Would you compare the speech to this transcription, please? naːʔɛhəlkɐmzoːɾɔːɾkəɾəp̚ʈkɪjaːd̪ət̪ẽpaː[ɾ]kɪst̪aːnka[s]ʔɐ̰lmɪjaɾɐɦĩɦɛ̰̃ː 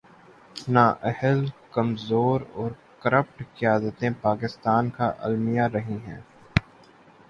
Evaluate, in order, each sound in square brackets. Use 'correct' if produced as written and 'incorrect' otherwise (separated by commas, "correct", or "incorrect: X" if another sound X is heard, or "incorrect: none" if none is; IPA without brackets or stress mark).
incorrect: none, incorrect: none